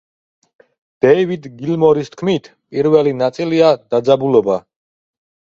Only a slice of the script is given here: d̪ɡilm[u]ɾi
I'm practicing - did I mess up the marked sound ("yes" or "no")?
yes